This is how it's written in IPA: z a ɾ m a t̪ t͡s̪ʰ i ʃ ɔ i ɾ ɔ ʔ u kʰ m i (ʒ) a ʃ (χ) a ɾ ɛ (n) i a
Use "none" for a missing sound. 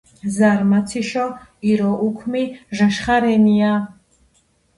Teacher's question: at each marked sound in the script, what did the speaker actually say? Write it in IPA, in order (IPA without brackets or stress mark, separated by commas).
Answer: ʒ, χ, n